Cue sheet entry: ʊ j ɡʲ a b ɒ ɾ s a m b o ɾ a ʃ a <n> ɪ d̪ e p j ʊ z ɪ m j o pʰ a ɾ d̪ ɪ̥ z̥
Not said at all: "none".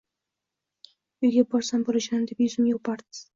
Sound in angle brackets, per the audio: n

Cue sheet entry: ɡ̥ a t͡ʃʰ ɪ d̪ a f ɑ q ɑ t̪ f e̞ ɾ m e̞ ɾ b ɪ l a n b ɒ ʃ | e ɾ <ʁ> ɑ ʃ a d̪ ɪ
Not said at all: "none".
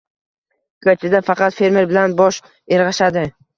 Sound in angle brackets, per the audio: ʁ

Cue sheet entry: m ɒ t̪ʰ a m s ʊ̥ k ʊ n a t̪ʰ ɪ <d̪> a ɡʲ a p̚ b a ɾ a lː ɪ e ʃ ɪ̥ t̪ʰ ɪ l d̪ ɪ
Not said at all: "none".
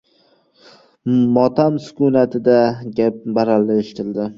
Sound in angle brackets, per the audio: d̪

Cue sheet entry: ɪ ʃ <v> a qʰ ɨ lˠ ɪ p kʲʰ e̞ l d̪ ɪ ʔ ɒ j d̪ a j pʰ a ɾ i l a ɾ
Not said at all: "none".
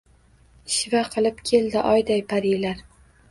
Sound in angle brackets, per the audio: v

